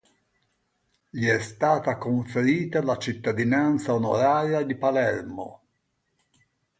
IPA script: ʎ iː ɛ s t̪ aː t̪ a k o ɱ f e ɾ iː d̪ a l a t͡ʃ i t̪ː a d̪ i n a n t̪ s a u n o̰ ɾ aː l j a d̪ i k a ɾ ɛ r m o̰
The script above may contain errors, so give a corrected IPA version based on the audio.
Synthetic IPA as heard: ʎ i ɛ s t̪ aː t̪ a k o ɱ f e ɾ iː t̪ a l a t͡ʃ i t̪ː a d̪ i n a n t̪ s a o n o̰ ɾ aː ɾ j a d̪ i p a l ɛ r m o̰